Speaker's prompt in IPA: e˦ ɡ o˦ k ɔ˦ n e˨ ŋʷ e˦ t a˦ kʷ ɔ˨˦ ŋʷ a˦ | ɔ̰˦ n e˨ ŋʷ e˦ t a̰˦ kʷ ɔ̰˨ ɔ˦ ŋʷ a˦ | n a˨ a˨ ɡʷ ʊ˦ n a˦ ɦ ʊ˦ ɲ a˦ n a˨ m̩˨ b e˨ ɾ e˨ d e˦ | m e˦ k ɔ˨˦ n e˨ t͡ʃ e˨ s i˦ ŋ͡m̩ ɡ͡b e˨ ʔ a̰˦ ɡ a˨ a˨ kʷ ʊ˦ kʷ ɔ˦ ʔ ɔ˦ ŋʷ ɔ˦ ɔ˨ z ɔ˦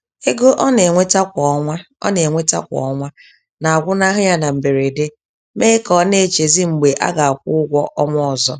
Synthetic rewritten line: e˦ ɡ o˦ ʔ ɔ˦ n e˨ ŋʷ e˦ t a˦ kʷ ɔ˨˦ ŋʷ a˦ | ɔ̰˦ n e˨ ŋʷ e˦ t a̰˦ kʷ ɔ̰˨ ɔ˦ ŋʷ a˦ | n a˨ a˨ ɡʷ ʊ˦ n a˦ ɦ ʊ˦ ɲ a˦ n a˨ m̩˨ b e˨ ɾ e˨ d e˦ | m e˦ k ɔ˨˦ n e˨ t͡ʃ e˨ z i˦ ŋ͡m̩ ɡ͡b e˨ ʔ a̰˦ ɡ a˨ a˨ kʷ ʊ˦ ɡʷ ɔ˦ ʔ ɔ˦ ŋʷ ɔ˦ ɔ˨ z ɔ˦